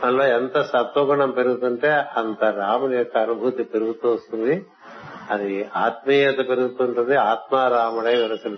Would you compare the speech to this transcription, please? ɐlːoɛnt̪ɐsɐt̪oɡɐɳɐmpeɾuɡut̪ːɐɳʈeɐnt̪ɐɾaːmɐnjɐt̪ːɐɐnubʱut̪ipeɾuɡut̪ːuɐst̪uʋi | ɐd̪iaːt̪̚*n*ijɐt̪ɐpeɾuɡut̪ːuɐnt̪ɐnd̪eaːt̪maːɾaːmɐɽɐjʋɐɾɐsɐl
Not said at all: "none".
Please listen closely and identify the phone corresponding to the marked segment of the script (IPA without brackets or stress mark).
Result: m